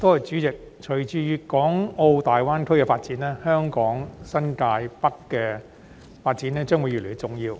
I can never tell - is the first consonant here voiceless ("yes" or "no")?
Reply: yes